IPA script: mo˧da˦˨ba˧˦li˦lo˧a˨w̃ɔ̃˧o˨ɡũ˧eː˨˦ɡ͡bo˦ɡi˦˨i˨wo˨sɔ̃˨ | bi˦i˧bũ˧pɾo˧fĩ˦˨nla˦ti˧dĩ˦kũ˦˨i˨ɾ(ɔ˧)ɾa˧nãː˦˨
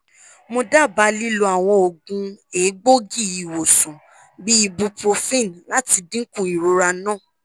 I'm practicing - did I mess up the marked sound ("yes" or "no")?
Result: yes